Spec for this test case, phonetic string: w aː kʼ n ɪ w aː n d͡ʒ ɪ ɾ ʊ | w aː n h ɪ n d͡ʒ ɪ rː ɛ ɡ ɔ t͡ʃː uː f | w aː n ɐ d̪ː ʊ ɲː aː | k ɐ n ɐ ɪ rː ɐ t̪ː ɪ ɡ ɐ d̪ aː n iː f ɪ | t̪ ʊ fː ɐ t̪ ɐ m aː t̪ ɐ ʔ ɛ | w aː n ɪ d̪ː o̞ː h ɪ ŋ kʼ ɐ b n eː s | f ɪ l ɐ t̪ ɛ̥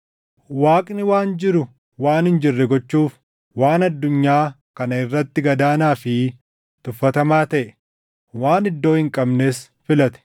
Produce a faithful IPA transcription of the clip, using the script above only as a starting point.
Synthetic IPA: w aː kʼ n ɪ w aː n d͡ʒ ɪ ɾ ʊ | w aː n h ɪ n d͡ʒ ɪ rː ɛ ɡ ɔ t͡ʃː uː f | w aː n ɐ d̪ː ʊ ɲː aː | k ɐ n ɐ ɪ rː ɐ t̪ː ɪ ɡ ɐ d̪ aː n aː f ɪ | t̪ ʊ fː ɐ t̪ ɐ m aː t̪ ɐ ʔ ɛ | w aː n ɪ d̪ː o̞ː h ɪ ŋ kʼ ɐ b n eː s | f ɪ l ɐ t̪ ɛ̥